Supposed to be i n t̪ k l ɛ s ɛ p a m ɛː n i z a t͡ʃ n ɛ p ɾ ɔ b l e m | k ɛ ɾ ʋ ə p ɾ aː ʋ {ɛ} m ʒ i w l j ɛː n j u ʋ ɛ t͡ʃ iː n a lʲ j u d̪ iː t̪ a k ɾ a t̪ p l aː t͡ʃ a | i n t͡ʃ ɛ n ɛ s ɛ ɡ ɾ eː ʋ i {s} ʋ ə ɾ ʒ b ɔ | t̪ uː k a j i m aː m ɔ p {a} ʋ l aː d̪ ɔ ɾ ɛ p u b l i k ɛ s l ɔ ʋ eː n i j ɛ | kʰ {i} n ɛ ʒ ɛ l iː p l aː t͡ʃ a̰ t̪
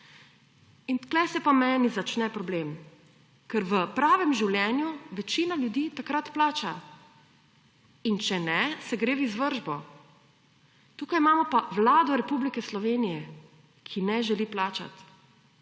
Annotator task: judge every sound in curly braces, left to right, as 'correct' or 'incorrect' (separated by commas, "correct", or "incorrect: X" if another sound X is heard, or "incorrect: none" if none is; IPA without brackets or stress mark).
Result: correct, incorrect: z, correct, correct